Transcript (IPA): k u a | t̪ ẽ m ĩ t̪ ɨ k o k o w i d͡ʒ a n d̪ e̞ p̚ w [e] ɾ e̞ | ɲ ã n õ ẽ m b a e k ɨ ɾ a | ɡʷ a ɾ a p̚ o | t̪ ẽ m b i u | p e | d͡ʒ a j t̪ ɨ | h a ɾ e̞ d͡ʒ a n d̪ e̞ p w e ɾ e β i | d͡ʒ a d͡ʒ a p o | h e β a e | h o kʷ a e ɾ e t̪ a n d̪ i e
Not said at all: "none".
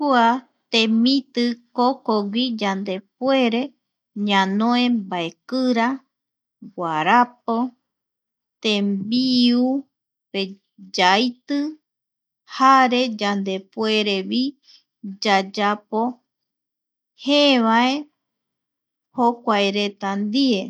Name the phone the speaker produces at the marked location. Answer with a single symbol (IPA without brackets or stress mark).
e